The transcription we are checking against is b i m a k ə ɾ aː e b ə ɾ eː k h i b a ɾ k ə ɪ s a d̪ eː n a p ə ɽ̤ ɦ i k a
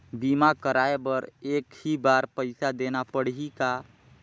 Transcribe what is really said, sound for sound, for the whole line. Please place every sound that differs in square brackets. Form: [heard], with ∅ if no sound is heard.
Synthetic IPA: b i m a k ə ɾ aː e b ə ɾ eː k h i b a ɾ [p] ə ɪ s a d̪ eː n a p ə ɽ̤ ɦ i k a